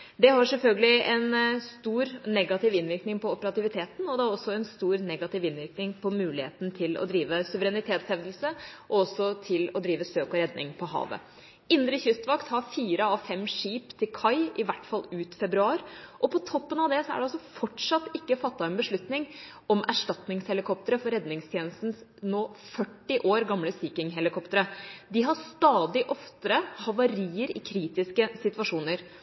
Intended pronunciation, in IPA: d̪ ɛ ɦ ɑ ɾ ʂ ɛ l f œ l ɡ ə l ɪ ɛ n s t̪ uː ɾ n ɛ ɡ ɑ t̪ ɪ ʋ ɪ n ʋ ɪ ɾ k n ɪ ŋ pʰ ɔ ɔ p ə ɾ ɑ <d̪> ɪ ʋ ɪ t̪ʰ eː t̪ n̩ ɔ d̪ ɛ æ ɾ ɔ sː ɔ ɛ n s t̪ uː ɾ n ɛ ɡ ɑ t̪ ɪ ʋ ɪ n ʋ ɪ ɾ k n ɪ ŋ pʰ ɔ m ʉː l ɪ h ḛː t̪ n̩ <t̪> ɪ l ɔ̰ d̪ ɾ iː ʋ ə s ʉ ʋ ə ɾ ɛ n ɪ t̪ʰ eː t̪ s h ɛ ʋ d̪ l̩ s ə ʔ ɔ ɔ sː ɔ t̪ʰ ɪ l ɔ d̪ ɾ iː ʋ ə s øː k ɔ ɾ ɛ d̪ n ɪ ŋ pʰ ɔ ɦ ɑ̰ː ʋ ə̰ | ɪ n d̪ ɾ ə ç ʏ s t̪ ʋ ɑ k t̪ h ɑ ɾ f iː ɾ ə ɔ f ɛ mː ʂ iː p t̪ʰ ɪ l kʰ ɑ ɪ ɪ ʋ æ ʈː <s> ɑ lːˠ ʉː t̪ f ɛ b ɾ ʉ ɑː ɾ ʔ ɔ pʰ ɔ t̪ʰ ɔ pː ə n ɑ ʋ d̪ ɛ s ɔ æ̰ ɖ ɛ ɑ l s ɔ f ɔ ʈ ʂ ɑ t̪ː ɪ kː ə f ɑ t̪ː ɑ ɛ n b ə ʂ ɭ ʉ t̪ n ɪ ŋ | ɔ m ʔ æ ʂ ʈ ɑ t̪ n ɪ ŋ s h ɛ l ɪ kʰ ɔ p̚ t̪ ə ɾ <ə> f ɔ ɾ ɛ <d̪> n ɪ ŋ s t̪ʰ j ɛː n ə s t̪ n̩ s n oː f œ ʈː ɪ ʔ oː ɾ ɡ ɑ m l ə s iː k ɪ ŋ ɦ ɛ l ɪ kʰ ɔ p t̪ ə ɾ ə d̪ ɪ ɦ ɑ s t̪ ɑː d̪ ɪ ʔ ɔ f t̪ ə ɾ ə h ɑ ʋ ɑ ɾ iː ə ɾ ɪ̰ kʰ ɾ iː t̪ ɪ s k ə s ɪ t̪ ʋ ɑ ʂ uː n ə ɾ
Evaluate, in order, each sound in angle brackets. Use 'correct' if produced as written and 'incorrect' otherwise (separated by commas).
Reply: incorrect, incorrect, incorrect, correct, correct